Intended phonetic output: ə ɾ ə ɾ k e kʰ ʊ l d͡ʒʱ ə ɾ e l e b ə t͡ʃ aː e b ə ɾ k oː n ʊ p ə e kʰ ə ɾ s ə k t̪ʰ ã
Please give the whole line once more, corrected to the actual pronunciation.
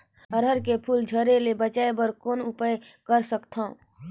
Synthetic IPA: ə ɾ ə ɾ k e pʰ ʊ l d͡ʒʱ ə ɾ e l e b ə t͡ʃ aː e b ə ɾ k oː n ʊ p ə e k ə ɾ s ə k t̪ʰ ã